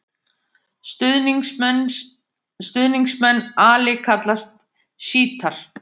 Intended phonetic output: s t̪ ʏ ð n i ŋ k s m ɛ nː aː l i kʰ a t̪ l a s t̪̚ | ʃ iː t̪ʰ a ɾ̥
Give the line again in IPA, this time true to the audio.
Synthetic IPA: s t̪ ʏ ð n i ŋ k s m ɛ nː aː l ɪ kʰ a t̪ l a s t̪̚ | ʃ iː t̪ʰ a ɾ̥